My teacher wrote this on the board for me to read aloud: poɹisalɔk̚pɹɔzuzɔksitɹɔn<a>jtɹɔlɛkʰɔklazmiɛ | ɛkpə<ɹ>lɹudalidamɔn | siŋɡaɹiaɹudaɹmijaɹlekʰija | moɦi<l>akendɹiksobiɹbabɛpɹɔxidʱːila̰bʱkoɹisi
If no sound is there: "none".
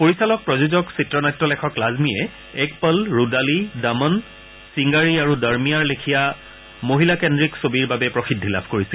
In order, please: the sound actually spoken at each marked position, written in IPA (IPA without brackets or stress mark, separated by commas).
a, none, l